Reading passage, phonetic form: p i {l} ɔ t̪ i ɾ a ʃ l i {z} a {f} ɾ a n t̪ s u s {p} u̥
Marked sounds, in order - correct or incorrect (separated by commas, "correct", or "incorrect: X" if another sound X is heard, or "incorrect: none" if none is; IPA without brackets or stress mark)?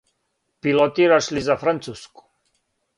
correct, correct, correct, incorrect: k